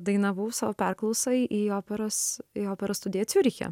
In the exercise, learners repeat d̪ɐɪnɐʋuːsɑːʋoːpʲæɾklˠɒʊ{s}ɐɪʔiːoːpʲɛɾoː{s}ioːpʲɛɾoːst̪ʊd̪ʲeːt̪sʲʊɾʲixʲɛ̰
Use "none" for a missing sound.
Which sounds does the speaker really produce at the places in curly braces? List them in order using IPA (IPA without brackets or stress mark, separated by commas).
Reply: s, s